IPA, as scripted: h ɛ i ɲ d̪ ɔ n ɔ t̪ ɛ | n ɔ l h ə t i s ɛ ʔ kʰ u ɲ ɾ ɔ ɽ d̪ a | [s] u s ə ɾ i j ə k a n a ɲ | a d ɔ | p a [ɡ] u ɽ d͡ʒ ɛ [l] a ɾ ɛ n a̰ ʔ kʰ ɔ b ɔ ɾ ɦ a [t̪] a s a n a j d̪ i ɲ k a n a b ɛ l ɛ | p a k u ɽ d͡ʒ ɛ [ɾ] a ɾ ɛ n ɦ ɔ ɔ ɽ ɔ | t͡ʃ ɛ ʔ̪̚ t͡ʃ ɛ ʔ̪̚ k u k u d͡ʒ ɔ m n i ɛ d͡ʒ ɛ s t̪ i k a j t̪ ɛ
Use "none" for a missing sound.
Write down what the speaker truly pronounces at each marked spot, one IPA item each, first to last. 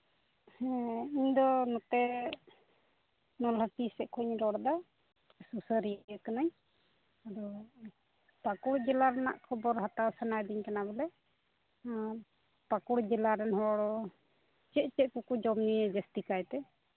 s, k, l, t̪, l

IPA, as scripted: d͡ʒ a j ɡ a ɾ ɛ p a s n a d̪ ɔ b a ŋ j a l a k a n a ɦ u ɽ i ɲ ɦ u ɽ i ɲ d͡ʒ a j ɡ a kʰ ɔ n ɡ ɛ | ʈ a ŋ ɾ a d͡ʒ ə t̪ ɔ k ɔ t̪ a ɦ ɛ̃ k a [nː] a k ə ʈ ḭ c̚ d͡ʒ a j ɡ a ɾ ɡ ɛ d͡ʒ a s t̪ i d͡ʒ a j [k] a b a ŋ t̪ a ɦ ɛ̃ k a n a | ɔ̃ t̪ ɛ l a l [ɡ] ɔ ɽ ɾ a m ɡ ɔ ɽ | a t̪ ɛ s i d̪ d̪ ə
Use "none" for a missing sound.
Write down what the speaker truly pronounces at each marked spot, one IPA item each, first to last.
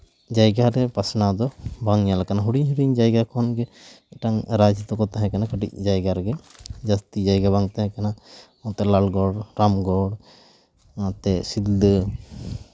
n, ɡ, ɡ

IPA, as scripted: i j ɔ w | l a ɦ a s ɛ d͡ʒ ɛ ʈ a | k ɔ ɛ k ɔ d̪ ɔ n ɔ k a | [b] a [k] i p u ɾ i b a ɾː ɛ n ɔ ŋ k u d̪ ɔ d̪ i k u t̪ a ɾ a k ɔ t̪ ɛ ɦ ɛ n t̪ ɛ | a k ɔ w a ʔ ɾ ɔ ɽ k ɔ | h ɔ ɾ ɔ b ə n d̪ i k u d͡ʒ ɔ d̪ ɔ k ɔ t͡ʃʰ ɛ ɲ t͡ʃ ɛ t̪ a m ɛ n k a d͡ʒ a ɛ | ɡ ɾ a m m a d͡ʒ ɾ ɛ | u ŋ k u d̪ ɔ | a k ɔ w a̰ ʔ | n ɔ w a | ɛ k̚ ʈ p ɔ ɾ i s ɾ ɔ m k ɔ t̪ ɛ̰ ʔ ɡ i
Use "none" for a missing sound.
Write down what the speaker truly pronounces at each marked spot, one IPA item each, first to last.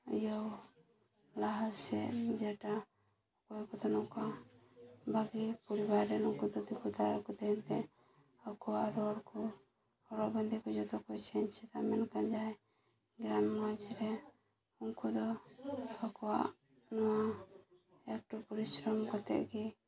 b, ɡ

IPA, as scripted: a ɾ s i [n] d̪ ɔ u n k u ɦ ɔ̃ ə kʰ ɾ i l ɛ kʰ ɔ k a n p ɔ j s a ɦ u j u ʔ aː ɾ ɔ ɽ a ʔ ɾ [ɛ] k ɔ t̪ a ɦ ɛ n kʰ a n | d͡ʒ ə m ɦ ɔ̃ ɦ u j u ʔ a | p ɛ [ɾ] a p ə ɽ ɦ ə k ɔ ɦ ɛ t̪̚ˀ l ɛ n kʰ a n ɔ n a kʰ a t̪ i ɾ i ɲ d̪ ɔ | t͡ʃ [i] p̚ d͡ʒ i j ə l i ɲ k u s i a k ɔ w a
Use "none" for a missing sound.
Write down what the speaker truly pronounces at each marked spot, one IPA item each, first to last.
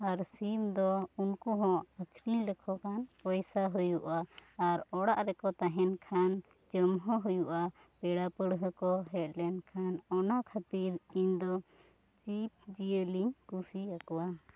m, ɛ, ɽ, i

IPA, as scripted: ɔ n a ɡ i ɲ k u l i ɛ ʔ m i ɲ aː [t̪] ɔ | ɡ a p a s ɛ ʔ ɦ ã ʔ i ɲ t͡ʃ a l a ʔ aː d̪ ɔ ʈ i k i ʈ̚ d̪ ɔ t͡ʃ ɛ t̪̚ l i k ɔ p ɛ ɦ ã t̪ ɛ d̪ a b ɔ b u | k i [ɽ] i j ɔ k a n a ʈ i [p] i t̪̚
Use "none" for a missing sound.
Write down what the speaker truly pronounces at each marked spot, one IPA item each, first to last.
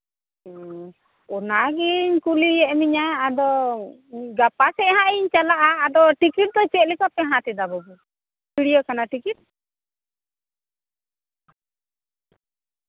d̪, ɽ, k

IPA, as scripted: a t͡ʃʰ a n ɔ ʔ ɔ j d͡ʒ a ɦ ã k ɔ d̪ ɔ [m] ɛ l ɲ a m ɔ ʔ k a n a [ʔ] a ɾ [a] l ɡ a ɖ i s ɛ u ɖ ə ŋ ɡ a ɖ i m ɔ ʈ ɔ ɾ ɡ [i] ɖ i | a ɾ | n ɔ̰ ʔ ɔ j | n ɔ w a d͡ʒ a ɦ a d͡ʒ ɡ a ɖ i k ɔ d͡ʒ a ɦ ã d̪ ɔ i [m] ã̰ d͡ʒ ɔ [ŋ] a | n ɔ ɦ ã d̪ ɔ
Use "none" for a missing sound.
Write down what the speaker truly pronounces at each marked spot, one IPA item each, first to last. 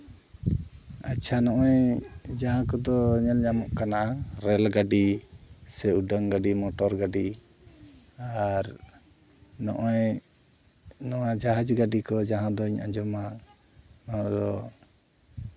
ɲ, ʔ, ɛ, a, ɲ, m

